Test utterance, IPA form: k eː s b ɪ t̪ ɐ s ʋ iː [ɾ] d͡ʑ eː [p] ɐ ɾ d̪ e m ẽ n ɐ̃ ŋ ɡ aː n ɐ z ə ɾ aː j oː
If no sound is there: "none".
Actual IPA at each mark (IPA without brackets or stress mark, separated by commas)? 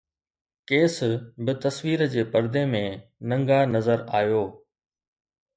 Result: ɾ, p